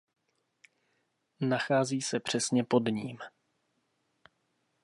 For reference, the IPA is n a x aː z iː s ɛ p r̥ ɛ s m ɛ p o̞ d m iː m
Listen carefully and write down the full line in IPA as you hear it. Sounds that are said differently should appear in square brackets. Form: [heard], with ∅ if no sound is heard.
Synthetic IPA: n a x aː z iː s ɛ p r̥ ɛ s [ɲ] ɛ p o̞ d [ɲ] iː m